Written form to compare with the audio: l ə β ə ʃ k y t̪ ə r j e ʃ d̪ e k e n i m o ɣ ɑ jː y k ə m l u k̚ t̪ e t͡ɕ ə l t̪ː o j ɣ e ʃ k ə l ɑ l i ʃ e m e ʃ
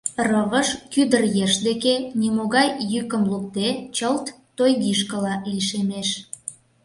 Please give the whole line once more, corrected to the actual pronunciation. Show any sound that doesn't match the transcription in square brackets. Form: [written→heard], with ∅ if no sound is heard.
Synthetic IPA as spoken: [l→r] ə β ə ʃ k y [t̪→d̪] ə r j e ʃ d̪ e k e n i m o ɣ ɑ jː y k ə m l u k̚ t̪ e t͡ɕ ə l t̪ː o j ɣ [e→i] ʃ k ə l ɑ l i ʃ e m e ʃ